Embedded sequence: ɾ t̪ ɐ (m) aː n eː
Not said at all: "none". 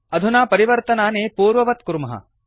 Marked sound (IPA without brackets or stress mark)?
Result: n